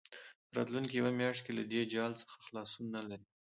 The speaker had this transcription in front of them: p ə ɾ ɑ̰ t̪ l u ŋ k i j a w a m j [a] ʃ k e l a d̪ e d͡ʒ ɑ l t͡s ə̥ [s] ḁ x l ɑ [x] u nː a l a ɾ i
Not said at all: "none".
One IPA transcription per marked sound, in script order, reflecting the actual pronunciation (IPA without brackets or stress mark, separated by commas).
ɑ, x, s